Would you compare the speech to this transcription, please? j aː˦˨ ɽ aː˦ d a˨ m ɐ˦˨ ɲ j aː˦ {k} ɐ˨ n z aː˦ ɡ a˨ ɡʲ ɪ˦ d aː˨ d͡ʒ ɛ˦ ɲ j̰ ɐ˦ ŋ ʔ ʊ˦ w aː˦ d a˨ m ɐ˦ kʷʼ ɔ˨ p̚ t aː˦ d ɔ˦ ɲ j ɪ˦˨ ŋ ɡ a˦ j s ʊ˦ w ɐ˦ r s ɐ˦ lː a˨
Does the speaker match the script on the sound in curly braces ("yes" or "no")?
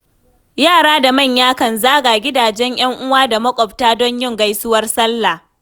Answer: yes